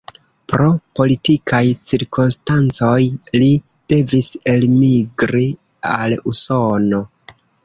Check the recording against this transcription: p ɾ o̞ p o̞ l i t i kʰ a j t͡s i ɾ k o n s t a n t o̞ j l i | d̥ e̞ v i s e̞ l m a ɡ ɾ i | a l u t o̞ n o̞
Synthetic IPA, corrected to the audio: p ɾ o̞ p o̞ l i t i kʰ a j t͡s i ɾ k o n s t a n t͡s o̞ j l i | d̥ e̞ v i s e̞ l m i ɡ ɾ i | a l u s o̞ n o̞